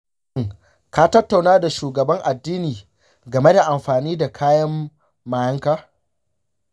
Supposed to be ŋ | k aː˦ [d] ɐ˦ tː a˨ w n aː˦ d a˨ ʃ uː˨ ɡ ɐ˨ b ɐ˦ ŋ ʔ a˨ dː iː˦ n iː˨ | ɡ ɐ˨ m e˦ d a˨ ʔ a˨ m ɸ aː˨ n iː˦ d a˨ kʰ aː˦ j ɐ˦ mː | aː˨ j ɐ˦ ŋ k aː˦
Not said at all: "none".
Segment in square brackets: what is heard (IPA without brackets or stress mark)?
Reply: t